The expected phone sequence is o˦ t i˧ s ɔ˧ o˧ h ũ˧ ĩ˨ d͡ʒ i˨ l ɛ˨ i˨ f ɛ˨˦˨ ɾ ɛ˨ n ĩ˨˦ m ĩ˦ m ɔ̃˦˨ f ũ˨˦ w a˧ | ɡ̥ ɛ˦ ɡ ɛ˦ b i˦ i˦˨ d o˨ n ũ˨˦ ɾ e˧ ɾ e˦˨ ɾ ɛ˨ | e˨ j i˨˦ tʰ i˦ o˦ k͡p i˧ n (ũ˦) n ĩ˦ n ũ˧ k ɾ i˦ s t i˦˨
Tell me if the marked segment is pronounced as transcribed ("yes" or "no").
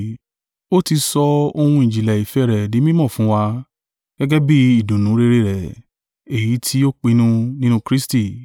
yes